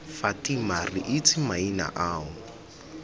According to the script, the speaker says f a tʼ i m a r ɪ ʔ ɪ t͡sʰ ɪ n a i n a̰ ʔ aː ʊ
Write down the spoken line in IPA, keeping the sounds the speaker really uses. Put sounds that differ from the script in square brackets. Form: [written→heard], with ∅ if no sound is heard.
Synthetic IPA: f a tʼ i m a r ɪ ʔ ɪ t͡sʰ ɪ [n→m] a i n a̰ ʔ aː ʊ